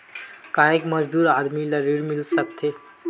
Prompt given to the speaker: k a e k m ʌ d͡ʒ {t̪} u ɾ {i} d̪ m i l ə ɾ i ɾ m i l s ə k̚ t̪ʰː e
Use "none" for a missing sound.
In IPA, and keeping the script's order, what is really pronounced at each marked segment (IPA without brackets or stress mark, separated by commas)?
d̪, a